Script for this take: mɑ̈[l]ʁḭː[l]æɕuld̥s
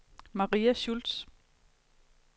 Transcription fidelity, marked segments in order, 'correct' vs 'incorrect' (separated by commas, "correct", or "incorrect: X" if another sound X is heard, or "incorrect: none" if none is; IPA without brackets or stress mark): incorrect: none, incorrect: none